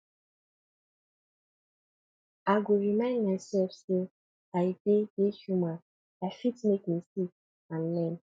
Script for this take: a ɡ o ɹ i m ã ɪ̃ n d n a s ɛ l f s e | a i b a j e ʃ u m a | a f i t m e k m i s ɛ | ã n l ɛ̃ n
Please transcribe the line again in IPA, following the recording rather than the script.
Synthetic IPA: a ɡ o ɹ i m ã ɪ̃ n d m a s ɛ l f s e | a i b e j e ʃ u m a | a f i t m e k m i s i | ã n l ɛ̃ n